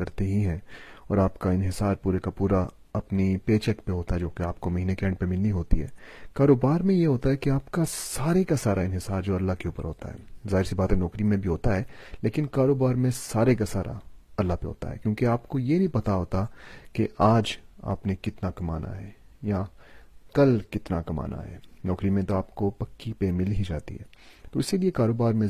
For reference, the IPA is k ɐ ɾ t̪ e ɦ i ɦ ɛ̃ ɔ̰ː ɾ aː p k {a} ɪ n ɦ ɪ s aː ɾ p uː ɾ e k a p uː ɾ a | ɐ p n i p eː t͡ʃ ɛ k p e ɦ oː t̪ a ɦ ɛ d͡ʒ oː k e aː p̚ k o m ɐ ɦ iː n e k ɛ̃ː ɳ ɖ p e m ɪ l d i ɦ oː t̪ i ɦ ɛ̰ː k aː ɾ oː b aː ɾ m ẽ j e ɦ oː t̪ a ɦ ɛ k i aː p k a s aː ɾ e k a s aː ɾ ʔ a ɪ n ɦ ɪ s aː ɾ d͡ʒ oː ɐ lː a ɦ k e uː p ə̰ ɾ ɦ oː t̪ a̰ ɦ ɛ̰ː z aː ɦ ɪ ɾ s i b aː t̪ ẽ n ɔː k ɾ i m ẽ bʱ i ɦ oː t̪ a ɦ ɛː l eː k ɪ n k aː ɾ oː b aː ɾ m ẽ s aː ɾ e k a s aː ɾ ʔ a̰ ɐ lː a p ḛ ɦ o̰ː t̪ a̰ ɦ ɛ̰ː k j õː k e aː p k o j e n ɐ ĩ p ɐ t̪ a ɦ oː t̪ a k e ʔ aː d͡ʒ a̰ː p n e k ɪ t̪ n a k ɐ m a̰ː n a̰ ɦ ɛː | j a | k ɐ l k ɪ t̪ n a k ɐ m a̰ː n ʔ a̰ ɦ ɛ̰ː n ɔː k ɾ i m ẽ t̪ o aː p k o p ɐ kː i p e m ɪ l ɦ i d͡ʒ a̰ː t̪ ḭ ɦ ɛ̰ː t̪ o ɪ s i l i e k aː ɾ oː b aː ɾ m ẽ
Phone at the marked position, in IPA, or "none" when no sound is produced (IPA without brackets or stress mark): a